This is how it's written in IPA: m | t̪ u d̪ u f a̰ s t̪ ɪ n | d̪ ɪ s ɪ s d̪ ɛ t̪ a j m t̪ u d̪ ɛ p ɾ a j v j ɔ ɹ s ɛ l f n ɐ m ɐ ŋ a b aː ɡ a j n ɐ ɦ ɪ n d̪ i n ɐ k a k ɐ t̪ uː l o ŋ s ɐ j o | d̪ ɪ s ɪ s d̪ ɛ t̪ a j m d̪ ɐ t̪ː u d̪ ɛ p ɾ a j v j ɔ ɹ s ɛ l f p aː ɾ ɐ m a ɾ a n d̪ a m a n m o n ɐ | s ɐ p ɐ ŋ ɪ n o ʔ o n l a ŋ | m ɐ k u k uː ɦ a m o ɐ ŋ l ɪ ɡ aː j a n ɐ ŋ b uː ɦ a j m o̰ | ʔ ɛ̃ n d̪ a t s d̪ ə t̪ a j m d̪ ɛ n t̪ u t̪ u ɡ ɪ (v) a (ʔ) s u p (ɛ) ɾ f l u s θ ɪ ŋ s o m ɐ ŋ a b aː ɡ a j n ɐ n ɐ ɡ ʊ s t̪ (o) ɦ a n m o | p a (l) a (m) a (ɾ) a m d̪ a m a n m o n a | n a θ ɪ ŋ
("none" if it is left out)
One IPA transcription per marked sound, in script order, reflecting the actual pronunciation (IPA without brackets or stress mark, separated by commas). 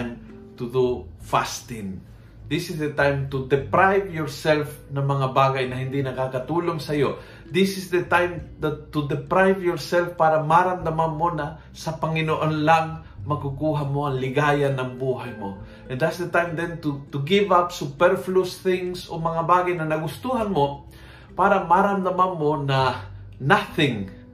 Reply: v, p, ɛ, u, ɾ, m, ɾ